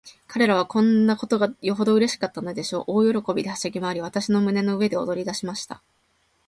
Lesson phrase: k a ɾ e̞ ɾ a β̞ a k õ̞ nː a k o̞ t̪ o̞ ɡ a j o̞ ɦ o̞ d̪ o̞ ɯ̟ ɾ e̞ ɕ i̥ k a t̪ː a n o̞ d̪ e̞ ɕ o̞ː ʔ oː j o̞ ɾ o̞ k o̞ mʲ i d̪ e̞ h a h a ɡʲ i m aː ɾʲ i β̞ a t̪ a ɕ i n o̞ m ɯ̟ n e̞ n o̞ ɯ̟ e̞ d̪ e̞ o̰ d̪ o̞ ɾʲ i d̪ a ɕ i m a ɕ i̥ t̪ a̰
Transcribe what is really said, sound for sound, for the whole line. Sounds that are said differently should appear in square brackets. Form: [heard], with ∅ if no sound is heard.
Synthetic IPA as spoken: k a ɾ e̞ ɾ a β̞ a k õ̞ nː a k o̞ t̪ o̞ ɡ a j o̞ ɦ o̞ d̪ o̞ ɯ̟ ɾ e̞ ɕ i̥ k a t̪ː a n o̞ d̪ e̞ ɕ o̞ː ʔ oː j o̞ ɾ o̞ k o̞ [bʲ] i d̪ e̞ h a [ɕ] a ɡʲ i m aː ɾʲ i β̞ a t̪ a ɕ i n o̞ m ɯ̟ n e̞ n o̞ ɯ̟ e̞ d̪ e̞ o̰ d̪ o̞ ɾʲ i d̪ a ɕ i m a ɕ i̥ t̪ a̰

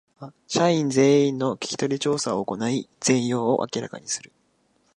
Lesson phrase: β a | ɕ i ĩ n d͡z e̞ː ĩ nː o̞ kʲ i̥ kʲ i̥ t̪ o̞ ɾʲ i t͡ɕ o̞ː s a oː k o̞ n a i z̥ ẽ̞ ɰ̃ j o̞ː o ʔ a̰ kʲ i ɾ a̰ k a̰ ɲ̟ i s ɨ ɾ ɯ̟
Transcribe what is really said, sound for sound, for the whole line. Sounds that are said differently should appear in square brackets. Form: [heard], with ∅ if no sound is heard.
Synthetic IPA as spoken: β a | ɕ [a] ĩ n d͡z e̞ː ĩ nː o̞ kʲ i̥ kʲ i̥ t̪ o̞ ɾʲ i t͡ɕ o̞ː s a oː k o̞ n a i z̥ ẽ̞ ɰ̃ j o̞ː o ʔ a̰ kʲ i ɾ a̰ k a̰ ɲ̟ i s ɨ ɾ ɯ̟

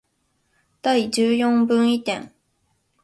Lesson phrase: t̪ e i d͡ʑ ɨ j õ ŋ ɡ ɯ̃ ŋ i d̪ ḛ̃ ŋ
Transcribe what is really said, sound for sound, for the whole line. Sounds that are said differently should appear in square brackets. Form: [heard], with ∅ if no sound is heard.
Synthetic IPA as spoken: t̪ [a] i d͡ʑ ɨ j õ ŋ [b] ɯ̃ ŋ i [t̪] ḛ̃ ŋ

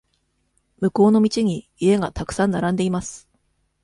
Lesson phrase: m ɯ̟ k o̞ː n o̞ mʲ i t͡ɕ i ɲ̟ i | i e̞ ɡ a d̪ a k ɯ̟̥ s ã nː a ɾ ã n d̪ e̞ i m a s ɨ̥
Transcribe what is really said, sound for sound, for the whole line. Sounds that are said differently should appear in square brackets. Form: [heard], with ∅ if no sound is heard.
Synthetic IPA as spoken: m ɯ̟ k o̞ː n o̞ mʲ i t͡ɕ i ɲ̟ i | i e̞ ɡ a [t̪] a k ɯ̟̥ s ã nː a ɾ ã n d̪ e̞ i m a s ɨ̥

